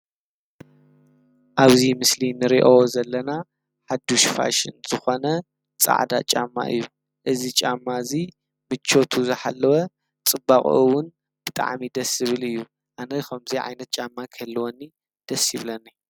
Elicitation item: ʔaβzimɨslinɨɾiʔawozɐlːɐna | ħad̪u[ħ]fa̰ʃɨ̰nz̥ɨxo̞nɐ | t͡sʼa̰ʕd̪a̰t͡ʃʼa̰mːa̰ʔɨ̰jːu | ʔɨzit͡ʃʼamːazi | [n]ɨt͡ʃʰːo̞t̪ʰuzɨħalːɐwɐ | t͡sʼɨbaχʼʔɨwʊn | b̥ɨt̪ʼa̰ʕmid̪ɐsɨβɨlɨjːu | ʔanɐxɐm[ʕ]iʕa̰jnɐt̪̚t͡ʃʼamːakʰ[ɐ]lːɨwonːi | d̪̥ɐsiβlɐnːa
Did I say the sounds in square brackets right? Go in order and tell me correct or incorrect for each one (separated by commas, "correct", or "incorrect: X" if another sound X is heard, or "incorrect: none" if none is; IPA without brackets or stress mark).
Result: incorrect: ʃ, incorrect: m, incorrect: z, correct